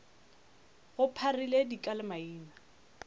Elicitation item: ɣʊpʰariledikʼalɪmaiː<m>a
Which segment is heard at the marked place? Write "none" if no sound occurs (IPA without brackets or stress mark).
n